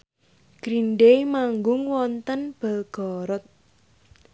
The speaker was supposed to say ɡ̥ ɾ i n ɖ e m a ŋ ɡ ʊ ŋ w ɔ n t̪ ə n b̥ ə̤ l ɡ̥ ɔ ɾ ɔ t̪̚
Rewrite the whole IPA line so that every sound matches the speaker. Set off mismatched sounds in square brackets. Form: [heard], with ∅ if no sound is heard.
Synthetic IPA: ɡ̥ ɾ i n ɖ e m a ŋ ɡ ʊ ŋ w ɔ n t̪ ə n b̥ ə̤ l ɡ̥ ɔ ɾ ɔ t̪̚